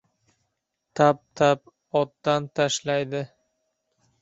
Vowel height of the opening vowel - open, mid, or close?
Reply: open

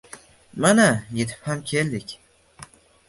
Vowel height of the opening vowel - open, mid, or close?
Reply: open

